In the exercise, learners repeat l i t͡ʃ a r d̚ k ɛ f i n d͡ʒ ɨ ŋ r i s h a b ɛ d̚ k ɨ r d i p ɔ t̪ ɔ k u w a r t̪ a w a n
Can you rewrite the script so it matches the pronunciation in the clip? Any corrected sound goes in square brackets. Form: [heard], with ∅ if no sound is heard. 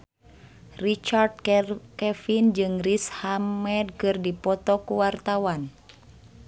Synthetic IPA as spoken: [r] i t͡ʃ a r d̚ k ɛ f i n d͡ʒ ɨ ŋ r i s h a [m] ɛ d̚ k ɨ r d i p ɔ t̪ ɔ k u w a r t̪ a w a n